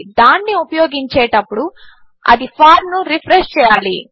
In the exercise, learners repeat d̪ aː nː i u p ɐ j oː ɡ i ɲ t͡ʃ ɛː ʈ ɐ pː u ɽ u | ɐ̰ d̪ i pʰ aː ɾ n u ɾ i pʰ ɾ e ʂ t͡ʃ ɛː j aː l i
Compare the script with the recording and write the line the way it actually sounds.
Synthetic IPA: d̪ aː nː i u p ɐ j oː ɡ i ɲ t͡ʃ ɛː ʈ ɐ pː u ɽ u | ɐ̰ d̪ i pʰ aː ɾ n u ɾ i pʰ ɾ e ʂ t͡ʃ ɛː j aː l i